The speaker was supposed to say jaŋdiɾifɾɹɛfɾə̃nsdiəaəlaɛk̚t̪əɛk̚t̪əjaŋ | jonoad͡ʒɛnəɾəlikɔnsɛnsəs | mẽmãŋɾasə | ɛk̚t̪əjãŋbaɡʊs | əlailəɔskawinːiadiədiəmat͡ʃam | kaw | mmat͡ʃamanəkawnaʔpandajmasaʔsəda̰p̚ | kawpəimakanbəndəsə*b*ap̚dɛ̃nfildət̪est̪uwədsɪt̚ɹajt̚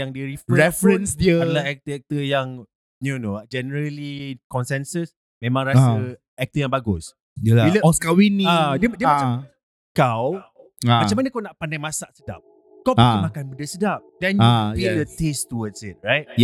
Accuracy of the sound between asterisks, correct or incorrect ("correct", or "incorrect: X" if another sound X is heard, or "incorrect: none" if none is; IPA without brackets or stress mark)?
incorrect: d